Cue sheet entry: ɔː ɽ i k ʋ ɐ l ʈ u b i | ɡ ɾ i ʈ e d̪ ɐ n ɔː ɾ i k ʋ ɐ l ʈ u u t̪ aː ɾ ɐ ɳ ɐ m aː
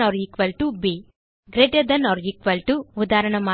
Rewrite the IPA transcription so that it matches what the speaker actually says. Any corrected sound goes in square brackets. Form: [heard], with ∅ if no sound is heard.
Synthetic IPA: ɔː [ɾ] i k ʋ ɐ l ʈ u b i | ɡ ɾ [e] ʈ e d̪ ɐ n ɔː ɾ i k ʋ ɐ l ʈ u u [d̪] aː ɾ ɐ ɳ ɐ m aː